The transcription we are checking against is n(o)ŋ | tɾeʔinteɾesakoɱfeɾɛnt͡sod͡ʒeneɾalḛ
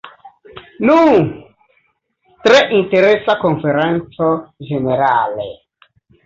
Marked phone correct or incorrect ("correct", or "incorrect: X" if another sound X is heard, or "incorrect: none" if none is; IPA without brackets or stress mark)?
incorrect: u